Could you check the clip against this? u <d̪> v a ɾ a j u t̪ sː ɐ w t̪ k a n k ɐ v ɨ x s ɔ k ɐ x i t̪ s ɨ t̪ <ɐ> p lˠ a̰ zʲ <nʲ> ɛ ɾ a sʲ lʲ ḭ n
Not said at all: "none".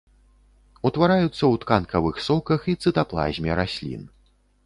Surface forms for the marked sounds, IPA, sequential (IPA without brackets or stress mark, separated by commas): t̪, a, mʲ